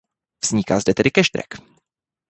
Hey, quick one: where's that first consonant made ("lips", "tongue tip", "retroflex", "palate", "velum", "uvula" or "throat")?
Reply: lips